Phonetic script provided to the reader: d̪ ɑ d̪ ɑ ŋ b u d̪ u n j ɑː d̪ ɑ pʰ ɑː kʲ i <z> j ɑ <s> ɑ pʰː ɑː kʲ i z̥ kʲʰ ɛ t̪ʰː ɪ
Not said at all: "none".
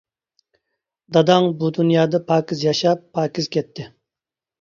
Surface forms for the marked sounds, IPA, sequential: z, ʃ

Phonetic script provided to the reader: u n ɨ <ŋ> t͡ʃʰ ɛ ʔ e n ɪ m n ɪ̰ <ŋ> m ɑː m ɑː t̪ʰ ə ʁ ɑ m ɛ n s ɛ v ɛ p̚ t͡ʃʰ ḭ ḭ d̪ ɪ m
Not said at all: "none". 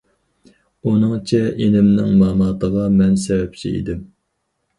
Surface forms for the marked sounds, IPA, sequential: ŋ, ŋ

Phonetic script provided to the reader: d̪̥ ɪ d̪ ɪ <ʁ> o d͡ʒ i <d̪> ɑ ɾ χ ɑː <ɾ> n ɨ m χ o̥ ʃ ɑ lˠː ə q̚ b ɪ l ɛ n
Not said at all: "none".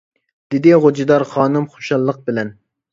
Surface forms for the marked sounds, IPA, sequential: ʁ, d̪, none

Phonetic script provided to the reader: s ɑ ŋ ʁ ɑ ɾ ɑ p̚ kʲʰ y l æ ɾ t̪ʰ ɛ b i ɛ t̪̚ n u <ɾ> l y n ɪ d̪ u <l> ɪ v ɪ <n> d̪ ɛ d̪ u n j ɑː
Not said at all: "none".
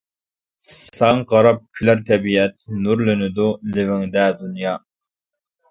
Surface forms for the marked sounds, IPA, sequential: ɾ, l, ŋ

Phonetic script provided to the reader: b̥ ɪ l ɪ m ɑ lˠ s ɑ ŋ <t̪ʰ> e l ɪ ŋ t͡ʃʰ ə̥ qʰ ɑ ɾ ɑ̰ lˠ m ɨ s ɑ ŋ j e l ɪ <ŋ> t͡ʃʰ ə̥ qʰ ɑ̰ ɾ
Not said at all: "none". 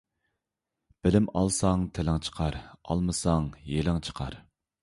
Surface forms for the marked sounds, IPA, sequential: t̪ʰ, ŋ

